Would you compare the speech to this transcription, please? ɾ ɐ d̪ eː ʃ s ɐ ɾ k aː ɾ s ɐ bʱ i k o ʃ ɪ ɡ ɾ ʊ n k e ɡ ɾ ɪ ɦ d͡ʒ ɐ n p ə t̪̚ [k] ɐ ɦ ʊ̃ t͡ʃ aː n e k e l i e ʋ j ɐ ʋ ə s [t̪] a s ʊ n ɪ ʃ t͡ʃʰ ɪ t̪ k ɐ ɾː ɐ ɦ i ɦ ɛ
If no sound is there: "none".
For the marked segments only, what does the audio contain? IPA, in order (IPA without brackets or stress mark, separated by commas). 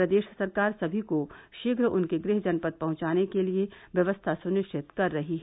p, t̪ʰ